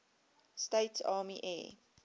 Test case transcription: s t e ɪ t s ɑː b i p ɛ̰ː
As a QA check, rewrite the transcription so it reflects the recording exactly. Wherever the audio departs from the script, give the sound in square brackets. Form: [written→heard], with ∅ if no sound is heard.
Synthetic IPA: s t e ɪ t s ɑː [b→m] i [p→ʔ] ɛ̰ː